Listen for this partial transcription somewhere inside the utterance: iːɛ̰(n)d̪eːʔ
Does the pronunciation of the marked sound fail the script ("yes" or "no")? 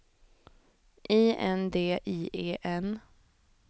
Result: no